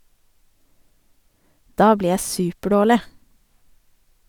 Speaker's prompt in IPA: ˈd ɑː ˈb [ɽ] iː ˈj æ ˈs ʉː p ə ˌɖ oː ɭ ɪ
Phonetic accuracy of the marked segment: incorrect: l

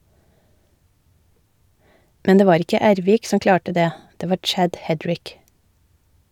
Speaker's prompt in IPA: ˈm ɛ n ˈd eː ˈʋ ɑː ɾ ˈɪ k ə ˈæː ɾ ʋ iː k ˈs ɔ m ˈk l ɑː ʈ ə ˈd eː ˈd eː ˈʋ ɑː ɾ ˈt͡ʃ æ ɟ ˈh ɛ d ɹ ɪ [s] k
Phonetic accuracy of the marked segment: incorrect: none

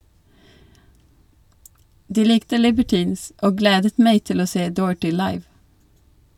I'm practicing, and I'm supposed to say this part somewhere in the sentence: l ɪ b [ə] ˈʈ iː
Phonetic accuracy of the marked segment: correct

